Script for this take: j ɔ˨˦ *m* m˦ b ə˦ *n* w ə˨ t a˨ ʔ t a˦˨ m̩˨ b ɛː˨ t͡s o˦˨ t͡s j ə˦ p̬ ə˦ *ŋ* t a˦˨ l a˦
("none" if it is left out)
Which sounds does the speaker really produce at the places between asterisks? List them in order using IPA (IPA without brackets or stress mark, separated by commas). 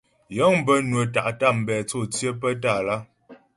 ŋ, n, none